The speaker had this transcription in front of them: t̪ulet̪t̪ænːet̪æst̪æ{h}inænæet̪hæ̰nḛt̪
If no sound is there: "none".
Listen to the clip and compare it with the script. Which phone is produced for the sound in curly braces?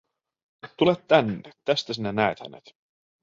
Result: s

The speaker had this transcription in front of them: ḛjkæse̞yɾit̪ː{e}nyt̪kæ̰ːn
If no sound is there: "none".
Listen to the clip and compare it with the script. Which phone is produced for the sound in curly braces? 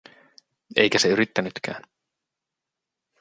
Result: æ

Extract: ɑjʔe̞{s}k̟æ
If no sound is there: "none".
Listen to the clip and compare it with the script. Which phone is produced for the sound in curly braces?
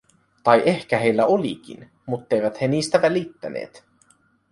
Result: h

